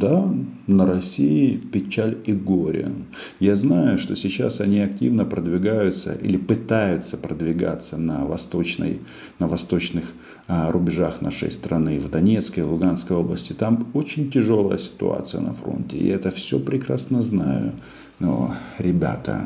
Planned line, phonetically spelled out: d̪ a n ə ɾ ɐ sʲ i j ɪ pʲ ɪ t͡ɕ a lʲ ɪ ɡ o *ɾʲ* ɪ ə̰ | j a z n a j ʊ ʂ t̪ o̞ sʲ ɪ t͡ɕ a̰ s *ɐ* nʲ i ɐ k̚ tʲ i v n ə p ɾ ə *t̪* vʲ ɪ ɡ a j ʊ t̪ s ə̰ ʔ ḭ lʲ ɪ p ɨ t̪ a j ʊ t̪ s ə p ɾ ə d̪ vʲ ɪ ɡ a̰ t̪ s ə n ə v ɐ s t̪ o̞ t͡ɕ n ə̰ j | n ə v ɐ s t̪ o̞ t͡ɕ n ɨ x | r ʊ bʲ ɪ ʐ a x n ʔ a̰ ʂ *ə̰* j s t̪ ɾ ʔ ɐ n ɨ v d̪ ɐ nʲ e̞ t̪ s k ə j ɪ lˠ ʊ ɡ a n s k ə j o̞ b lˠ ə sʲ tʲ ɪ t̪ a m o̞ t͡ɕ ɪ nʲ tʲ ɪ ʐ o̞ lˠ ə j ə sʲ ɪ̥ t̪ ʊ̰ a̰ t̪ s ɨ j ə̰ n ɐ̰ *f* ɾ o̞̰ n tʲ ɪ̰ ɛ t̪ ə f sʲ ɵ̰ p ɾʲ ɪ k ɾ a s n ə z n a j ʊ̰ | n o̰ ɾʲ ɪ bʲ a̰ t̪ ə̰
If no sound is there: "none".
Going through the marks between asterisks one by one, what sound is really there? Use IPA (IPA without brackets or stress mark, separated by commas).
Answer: ɾʲ, ɐ, d̪, ə̰, f